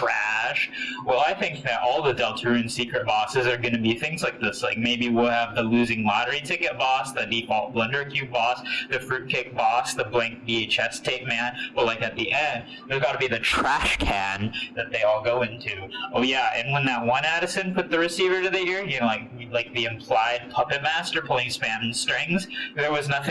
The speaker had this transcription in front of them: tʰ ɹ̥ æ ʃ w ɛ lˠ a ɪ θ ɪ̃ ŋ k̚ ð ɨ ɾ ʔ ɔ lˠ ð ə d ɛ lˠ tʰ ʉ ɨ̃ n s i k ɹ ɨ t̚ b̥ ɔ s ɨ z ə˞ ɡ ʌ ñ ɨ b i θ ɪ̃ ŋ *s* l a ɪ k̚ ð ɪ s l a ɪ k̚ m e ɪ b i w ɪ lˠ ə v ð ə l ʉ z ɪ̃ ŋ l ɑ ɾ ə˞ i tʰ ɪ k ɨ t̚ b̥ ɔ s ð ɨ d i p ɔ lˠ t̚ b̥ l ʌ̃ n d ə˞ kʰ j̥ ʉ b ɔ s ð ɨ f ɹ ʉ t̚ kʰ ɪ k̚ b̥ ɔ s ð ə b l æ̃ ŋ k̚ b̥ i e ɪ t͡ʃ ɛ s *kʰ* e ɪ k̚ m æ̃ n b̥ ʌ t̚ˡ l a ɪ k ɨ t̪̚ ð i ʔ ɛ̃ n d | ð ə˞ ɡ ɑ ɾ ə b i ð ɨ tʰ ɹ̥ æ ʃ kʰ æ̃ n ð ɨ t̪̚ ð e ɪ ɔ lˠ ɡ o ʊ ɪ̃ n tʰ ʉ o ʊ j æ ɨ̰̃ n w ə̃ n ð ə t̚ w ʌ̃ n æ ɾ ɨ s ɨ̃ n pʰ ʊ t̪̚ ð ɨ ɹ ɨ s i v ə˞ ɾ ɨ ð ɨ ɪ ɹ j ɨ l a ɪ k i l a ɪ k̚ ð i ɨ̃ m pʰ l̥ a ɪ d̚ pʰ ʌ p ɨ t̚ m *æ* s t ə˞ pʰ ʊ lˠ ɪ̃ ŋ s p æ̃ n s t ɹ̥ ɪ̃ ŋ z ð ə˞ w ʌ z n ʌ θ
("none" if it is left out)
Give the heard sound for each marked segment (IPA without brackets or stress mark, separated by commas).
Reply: z, tʰ, æ